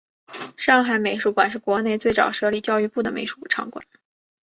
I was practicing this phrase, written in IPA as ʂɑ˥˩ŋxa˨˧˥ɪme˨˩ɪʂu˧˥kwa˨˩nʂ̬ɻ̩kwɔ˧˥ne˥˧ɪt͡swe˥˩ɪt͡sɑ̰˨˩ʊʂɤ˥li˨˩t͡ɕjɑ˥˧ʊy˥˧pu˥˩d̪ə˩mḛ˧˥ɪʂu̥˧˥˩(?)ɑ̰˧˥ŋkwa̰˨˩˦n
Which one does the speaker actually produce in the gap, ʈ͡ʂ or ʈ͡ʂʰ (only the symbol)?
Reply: ʈ͡ʂʰ